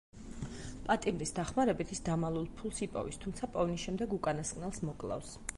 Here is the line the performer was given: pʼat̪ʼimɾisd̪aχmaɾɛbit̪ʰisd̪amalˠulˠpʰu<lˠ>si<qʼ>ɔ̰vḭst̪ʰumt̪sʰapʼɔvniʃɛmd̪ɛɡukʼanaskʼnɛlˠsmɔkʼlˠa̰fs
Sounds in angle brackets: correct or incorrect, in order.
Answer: correct, incorrect: pʼ

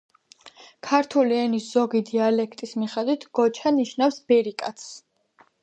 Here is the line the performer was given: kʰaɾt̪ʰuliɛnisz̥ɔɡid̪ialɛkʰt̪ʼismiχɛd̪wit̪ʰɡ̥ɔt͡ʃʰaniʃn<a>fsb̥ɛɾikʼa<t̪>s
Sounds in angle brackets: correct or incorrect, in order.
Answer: correct, correct

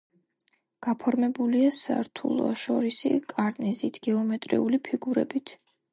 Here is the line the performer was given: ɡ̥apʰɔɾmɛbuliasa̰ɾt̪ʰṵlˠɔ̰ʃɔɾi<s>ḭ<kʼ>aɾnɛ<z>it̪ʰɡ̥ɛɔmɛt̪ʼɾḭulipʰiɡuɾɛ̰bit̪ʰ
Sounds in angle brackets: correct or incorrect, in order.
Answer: correct, correct, correct

